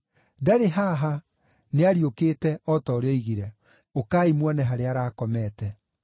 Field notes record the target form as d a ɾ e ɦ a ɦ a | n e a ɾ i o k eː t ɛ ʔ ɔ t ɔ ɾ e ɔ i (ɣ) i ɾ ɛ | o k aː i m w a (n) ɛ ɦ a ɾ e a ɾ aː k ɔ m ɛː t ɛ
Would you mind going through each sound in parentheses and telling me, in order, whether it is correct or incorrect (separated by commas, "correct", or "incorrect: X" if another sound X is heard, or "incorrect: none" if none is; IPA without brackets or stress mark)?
correct, correct